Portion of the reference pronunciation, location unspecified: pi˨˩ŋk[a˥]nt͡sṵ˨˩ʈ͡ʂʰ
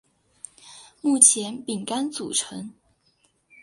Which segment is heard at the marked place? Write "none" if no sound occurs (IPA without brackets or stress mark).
a˥